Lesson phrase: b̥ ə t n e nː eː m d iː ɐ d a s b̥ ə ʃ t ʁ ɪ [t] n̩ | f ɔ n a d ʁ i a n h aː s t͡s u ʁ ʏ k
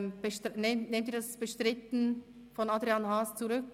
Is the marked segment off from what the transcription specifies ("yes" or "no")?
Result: no